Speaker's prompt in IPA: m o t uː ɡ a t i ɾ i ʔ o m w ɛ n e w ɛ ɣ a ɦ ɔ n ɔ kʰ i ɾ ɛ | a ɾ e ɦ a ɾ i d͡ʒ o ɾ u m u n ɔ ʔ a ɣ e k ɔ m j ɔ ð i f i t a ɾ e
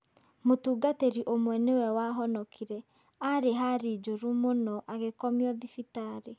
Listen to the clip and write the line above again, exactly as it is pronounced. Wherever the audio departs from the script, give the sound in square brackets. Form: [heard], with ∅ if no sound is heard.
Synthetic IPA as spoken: m o t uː ɡ a t [e] ɾ i ʔ o m w ɛ n e w ɛ [w] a ɦ ɔ n ɔ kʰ i ɾ ɛ | a ɾ e ɦ a ɾ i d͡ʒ o ɾ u m [o] n ɔ ʔ a ɣ e k ɔ m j ɔ ð i f i t a ɾ e